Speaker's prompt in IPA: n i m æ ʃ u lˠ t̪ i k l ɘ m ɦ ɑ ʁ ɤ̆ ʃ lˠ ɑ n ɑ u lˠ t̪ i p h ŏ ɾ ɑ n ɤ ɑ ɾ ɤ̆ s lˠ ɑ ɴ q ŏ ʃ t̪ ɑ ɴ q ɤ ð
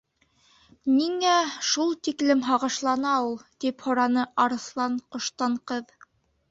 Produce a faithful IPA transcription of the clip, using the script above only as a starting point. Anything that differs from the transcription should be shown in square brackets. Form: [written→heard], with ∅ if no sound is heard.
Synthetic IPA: n i [m→ŋ] æ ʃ u lˠ t̪ i k l ɘ m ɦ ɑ ʁ ɤ̆ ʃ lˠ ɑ n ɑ u lˠ t̪ i p h ŏ ɾ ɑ n ɤ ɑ ɾ ɤ̆ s lˠ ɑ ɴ q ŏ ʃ t̪ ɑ ɴ q ɤ ð